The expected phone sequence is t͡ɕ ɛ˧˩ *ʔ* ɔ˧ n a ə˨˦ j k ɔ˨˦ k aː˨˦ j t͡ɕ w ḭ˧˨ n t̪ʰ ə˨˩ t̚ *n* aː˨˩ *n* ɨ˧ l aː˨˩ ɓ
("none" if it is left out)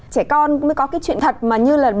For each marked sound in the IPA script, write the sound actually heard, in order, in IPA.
k, m, ɲ

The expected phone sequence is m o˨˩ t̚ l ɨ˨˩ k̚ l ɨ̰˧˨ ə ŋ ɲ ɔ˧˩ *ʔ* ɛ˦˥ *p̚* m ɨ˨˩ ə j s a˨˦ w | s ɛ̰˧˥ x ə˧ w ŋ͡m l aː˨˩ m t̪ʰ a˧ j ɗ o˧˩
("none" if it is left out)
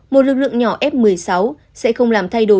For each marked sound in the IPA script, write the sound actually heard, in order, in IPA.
ʔ, p̚

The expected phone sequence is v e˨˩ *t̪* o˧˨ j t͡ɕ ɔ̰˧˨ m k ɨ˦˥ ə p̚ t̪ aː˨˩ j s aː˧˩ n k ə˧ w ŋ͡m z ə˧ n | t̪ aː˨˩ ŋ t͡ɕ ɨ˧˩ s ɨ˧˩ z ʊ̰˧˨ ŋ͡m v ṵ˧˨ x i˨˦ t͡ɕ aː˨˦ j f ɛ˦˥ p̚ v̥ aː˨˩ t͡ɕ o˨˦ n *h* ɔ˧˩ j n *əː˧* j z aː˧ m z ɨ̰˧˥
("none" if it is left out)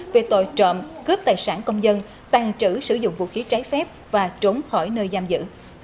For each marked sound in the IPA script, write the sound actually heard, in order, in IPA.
t̪, x, əː˧

